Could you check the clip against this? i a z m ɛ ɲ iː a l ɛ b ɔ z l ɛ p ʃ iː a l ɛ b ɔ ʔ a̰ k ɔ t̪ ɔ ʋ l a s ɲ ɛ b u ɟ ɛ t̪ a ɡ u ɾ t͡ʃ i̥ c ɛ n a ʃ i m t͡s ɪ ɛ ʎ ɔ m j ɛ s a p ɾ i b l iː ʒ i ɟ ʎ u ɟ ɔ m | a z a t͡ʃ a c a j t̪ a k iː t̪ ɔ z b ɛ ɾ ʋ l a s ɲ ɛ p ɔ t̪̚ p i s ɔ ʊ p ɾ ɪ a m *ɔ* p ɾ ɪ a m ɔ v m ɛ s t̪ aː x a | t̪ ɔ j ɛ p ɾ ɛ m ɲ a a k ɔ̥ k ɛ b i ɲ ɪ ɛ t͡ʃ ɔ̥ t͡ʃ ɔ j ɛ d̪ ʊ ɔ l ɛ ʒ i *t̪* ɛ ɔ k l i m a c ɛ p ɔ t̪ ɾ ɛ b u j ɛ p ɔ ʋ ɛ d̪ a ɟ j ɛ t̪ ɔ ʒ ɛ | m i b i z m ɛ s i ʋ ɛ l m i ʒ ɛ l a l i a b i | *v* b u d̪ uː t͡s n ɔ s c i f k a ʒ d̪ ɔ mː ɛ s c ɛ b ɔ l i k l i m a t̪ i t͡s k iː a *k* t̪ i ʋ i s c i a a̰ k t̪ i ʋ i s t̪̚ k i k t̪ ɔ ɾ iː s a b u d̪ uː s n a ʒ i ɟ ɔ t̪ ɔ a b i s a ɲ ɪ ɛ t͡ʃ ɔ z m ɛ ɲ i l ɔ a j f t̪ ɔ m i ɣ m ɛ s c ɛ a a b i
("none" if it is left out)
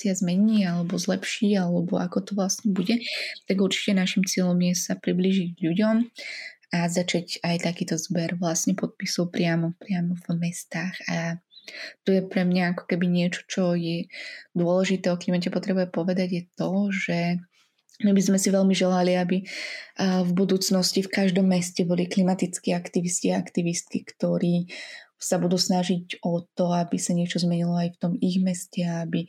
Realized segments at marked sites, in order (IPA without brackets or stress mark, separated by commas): ɔ, t̪, v, k